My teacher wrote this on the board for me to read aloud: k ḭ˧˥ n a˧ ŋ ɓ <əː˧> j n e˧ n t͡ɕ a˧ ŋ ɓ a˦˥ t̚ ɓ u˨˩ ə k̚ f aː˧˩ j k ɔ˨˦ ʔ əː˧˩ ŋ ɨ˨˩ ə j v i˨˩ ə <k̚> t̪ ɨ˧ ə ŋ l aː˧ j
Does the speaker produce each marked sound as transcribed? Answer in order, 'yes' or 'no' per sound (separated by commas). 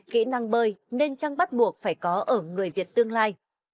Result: yes, no